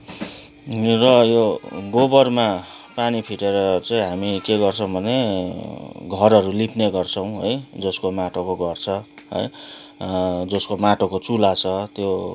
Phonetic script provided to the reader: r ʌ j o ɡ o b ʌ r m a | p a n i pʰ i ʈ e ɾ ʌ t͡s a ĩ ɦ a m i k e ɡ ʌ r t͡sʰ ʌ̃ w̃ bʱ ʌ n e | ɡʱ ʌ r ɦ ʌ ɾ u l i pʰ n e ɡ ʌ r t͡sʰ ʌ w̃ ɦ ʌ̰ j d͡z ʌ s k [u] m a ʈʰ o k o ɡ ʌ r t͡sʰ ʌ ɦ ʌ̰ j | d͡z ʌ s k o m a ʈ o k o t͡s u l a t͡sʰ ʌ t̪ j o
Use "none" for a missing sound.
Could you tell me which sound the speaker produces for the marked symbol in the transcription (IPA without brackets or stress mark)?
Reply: o